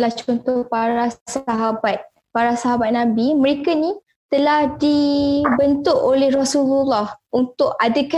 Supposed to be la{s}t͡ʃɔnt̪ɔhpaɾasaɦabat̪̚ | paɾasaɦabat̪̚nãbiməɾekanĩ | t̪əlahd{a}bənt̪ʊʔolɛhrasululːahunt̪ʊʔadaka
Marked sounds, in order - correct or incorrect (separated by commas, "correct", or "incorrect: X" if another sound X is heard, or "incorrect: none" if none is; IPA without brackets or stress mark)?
incorrect: h, incorrect: i